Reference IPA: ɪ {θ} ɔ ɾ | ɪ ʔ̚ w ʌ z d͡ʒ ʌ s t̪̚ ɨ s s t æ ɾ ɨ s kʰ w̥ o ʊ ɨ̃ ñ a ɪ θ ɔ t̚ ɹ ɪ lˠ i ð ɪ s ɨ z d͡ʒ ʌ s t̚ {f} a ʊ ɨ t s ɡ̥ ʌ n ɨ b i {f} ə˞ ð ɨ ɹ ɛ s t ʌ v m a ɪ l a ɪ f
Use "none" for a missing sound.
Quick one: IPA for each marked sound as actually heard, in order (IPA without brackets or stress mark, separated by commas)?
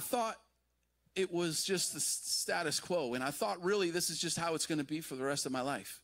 θ, h, f